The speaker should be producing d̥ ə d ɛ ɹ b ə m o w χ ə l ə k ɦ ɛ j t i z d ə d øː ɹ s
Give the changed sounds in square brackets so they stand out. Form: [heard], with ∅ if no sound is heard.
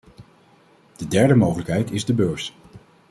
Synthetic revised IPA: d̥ ə d ɛ ɹ [d] ə m o w χ ə l ə k ɦ ɛ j t [ɪ] z d ə [b] øː ɹ s